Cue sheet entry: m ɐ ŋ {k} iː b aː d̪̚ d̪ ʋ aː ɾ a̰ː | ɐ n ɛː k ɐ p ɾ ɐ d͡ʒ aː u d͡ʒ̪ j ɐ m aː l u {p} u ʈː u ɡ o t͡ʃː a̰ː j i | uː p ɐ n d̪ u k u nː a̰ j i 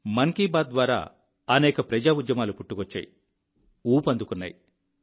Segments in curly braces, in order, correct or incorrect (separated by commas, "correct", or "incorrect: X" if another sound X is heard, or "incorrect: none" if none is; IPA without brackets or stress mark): correct, correct